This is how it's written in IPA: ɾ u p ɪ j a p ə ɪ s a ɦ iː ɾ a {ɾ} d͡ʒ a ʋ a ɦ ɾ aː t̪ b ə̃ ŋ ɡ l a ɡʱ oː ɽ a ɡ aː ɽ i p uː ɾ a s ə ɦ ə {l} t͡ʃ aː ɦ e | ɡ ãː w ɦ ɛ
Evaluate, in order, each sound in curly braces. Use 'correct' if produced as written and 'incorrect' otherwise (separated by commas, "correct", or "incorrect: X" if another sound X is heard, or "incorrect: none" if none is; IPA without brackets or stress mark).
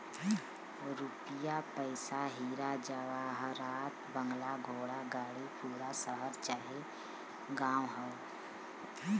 incorrect: none, incorrect: ɾ